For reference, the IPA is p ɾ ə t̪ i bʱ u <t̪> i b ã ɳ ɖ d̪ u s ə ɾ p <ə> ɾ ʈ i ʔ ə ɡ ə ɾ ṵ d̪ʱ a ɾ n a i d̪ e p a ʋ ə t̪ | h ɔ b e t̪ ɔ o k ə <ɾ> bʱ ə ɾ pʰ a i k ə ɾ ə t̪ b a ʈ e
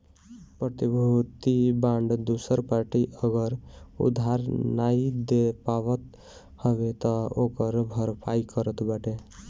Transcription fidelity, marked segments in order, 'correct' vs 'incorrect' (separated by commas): correct, incorrect, correct